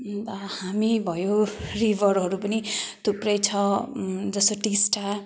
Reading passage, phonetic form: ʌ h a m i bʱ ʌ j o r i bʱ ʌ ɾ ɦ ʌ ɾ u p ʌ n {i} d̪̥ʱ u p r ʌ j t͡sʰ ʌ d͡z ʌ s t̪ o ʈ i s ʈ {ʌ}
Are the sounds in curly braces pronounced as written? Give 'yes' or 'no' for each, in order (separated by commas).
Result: yes, no